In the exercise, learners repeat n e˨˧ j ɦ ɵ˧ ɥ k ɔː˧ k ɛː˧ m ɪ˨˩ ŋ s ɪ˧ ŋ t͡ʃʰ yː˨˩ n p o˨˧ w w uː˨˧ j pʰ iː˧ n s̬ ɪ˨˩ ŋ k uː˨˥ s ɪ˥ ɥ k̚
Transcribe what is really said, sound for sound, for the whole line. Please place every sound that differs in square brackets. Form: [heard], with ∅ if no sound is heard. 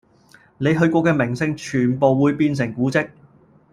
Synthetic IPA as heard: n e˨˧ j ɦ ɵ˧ ɥ k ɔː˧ k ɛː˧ m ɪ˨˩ ŋ s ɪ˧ ŋ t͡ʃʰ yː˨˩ n p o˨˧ w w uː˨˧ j [p] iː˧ n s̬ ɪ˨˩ ŋ k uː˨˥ [t͡s] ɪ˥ [∅] k̚